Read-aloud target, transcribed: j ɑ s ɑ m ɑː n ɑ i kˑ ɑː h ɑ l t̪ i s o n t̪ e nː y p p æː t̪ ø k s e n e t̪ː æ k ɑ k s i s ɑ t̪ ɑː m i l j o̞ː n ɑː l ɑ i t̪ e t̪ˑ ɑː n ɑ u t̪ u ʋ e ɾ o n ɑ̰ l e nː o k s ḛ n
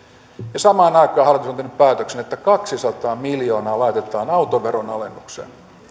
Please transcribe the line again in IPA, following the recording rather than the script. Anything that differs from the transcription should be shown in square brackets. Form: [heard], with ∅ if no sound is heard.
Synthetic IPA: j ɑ s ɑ m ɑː n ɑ i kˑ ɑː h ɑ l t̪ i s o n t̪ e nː y p p æː t̪ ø k s e n e t̪ː æ k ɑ k s i s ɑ t̪ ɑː m i l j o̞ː n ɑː l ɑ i t̪ e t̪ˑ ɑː n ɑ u t̪ [o] ʋ e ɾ o n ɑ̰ l e nː [u] k s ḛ n